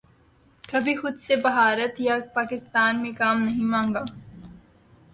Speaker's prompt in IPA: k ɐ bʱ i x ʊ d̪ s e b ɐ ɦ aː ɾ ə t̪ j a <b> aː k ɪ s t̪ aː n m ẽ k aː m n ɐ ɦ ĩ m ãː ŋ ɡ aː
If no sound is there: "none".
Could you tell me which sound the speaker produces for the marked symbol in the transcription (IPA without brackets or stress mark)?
p